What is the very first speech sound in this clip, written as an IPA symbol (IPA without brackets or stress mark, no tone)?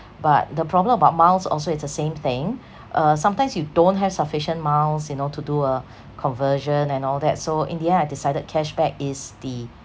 b